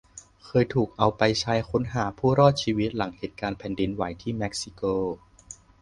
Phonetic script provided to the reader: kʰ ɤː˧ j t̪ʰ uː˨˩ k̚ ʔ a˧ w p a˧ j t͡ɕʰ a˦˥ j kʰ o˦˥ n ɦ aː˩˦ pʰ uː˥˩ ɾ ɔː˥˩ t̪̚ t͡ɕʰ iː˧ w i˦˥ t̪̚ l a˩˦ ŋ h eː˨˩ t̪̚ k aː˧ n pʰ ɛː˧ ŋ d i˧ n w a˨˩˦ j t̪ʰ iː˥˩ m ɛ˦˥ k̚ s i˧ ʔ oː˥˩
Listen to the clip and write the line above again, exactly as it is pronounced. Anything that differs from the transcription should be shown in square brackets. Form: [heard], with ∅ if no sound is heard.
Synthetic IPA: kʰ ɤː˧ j t̪ʰ uː˨˩ k̚ ʔ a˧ w p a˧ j t͡ɕʰ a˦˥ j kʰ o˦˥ n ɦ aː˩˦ pʰ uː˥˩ ɾ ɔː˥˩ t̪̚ t͡ɕʰ iː˧ w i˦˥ t̪̚ l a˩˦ ŋ h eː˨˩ t̪̚ k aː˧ n pʰ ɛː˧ [n] d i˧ n w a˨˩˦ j t̪ʰ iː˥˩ m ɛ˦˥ k̚ s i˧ [k] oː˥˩